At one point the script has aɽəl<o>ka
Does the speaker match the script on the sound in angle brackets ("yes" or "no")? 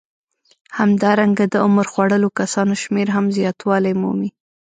yes